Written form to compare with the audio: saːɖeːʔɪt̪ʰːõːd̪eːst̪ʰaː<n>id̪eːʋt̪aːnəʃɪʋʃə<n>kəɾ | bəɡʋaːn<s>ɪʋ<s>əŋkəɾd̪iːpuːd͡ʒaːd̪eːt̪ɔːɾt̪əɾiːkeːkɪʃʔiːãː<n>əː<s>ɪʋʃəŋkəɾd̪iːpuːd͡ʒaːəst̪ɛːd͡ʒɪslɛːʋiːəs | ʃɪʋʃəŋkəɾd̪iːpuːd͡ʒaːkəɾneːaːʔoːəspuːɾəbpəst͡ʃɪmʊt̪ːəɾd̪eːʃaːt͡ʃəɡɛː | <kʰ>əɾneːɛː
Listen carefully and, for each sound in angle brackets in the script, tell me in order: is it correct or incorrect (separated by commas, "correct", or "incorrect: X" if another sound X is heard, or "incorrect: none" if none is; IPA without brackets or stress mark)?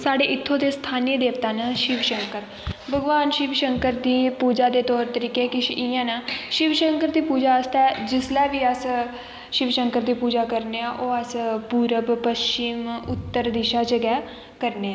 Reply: correct, incorrect: ŋ, incorrect: ʃ, incorrect: ʃ, correct, incorrect: ʃ, incorrect: k